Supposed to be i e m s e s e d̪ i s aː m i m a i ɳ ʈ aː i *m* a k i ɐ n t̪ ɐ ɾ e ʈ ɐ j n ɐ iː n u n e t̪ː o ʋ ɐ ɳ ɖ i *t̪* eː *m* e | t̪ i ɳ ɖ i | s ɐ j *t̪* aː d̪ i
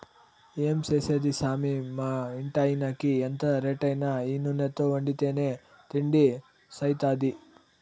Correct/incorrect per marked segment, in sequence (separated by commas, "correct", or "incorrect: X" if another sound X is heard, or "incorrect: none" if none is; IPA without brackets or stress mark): incorrect: n, correct, incorrect: n, correct